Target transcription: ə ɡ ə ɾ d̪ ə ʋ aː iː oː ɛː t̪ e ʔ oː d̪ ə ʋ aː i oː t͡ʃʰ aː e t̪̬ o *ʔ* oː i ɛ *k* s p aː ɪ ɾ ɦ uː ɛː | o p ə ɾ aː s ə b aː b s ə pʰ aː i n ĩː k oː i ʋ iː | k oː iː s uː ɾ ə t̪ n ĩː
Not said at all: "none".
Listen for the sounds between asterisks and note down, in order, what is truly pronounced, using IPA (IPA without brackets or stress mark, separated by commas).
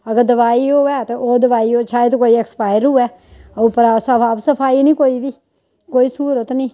k, k